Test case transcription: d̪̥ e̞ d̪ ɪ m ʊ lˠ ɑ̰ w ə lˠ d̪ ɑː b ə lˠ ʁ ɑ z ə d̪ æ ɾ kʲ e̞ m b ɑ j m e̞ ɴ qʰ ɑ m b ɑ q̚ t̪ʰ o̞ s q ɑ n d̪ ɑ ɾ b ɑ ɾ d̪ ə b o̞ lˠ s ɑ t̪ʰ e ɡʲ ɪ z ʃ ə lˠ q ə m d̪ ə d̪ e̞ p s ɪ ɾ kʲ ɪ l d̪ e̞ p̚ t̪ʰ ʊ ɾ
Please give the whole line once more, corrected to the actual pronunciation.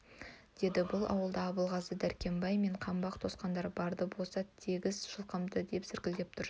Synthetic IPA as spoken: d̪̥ e̞ d̪ ɪ b ʊ lˠ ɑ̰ w ə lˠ d̪ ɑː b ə lˠ ʁ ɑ z ə d̪ æ ɾ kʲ e̞ m b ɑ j m e̞ ɴ qʰ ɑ m b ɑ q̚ t̪ʰ o̞ s q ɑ n d̪ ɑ ɾ b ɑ ɾ d̪ ə b o̞ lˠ s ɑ t̪ʰ e ɡʲ ɪ z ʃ ə lˠ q ə m d̪ ə d̪ e̞ p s ɪ ɾ kʲ ɪ l d̪ e̞ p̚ t̪ʰ ʊ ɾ

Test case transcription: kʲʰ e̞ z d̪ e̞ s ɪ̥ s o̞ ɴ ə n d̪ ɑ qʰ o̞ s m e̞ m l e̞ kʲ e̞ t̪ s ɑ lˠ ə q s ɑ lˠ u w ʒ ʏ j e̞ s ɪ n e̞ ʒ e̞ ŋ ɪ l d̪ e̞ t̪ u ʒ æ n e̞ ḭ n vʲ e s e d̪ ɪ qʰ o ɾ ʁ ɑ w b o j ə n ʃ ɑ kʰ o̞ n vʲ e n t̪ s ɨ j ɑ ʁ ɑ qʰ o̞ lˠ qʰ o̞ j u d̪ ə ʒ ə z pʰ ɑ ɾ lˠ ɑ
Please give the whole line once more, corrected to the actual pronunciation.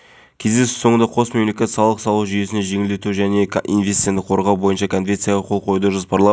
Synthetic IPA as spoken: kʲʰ e̞ z d̪ e̞ s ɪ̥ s o̞ ɴ ə n d̪ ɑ qʰ o̞ s m e̞ m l e̞ kʲ e̞ t̪ s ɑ lˠ ə q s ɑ lˠ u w ʒ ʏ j e̞ s ɪ n e̞ ʒ e̞ ŋ ɪ l d̪ e̞ t̪ u ʒ æ n e̞ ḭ n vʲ e s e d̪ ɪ qʰ o ɾ ʁ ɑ w b o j ə n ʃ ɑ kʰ o̞ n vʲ e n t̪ s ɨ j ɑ ʁ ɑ qʰ o̞ lˠ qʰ o̞ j u d̪ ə ʒ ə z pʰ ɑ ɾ lˠ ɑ

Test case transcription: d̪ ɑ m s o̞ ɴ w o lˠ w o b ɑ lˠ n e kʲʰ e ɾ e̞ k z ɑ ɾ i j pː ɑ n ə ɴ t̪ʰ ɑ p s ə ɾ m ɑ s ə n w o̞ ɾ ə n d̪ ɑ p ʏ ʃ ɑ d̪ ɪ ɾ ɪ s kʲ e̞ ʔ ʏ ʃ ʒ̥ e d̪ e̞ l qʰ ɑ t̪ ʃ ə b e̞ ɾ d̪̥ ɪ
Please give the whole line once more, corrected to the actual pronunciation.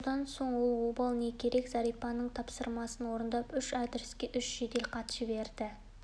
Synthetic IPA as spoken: d̪ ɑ n s o̞ ɴ w o lˠ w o b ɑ lˠ n e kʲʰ e ɾ e̞ k z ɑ ɾ i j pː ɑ n ə ɴ t̪ʰ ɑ p s ə ɾ m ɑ s ə n w o̞ ɾ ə n d̪ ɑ p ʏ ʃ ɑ d̪ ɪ ɾ ɪ s kʲ e̞ ʔ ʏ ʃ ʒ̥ e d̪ e̞ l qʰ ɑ t̪ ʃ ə b e̞ ɾ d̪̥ ɪ

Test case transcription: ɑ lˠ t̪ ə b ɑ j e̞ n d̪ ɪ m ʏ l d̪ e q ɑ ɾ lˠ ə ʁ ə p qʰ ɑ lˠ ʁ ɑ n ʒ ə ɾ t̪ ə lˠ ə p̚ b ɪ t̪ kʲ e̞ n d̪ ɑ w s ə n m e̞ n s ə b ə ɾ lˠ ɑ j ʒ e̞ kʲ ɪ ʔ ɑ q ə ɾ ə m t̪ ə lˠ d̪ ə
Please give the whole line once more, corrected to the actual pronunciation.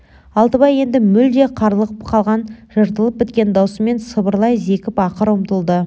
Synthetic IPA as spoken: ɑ lˠ t̪ ə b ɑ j e̞ n d̪ ɪ m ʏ l d̪ e qʰ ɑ ɾ lˠ ə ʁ ə p qʰ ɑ lˠ ʁ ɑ n ʒ ə ɾ t̪ ə lˠ ə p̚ b ɪ t̪ kʲ e̞ n d̪ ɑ w s ə m e̞ n s ə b ə ɾ lˠ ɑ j z e̞ kʲ ɪ p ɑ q ə ɾ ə m t̪ ə lˠ d̪ ə

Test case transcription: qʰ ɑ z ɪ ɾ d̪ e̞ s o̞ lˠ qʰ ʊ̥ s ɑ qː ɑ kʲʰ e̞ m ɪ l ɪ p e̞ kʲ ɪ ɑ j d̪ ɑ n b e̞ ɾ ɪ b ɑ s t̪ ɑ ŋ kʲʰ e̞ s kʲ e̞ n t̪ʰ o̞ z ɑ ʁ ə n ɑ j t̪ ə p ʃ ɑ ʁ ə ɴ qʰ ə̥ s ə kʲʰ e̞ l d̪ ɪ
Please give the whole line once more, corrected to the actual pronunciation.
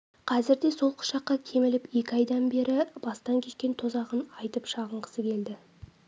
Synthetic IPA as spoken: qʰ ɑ z ɪ ɾ d̪ e̞ s o̞ lˠ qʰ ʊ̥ ʃ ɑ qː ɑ kʲʰ e̞ m ɪ l ɪ p e̞ kʲ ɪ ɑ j d̪ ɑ n b e̞ ɾ ɪ b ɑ s t̪ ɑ ŋ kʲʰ e̞ ʃ kʲ e̞ n t̪ʰ o̞ z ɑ ʁ ə n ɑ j t̪ ə p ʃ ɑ ʁ ə ɴ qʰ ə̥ s ə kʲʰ e̞ l d̪ ɪ

